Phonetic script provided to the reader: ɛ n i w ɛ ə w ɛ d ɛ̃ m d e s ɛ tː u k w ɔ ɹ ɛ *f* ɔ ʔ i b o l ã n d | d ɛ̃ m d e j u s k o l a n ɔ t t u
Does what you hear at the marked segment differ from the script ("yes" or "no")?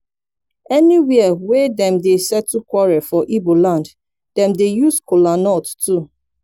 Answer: no